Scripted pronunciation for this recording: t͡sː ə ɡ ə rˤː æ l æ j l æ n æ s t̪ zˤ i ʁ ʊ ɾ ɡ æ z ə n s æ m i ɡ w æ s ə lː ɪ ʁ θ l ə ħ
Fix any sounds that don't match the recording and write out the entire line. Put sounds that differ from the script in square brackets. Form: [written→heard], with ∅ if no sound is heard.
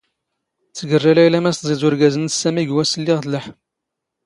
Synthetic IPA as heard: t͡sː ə ɡ ə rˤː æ l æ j l æ [n→m] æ s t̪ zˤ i [ʁ→z] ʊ ɾ ɡ æ z ə n s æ m i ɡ w æ s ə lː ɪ ʁ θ l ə ħ